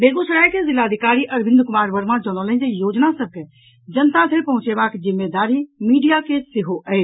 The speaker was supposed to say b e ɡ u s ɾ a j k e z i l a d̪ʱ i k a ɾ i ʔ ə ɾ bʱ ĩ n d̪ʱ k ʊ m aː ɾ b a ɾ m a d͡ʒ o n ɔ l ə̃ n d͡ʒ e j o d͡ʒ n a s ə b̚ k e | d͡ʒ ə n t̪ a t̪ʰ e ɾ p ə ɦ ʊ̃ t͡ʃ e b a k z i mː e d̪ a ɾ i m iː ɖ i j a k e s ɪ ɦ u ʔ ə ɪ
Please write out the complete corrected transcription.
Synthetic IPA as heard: b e ɡ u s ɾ a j k e z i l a d̪ʱ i k a ɾ i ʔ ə ɾ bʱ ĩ n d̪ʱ k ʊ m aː ɾ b ə ɾ m a d͡ʒ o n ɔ l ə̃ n d͡ʒ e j o d͡ʒ n a s ə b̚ k e | d͡ʒ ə n t̪ a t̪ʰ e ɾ p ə ɦ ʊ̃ t͡ʃ e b a k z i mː e d̪ a ɾ i m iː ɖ i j a k e s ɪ ɦ o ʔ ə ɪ

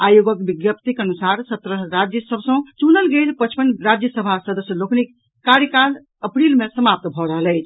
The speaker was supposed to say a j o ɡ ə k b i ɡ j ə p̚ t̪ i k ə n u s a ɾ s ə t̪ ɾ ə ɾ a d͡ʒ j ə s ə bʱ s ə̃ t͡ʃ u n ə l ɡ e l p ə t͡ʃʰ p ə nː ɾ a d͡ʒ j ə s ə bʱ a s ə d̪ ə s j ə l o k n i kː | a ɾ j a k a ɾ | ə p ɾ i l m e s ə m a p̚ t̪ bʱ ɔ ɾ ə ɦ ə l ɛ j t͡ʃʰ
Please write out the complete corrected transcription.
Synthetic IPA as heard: a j o ɡ ə k b i ɡ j ə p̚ t̪ i k ə n u s a ɾ s ə t̪ ɾ ə ɾ a d͡ʒ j ə s ə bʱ s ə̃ t͡ʃ u n ə l ɡ e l p ə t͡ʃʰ p ə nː ɾ a d͡ʒ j ə s ə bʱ a s ə d̪ ə s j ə l o k n i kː | a ɾ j ə k a l | ə p ɾ i l m e s ə m a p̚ t̪ bʱ ɔ ɾ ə ɦ ə l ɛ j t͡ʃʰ

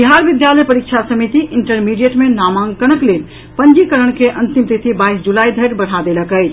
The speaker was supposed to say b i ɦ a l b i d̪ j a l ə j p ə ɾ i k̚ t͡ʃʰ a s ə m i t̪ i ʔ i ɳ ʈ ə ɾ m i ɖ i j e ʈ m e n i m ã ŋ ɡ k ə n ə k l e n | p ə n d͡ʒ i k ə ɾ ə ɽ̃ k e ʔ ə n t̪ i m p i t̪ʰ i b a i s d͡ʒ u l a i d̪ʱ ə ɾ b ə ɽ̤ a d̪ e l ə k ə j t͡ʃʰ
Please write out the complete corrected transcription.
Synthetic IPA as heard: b i ɦ a ɾ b i d̪ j a l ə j p ə ɾ i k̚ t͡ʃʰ a s ə m i t̪ i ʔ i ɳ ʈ ə ɾ m i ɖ i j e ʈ m e n a m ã ŋ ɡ k ə n ə k l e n | p ə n d͡ʒ i k ə ɾ ə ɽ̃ k e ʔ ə n t̪ i m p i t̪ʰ i b a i s d͡ʒ u l a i d̪ʱ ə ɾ b ə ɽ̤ a d̪ e l ə k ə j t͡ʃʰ

